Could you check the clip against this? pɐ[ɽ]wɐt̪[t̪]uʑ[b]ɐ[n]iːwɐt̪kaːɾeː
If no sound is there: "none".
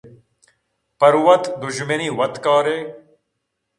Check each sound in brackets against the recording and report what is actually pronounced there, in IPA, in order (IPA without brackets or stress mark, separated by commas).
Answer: ɾ, d̪, m, n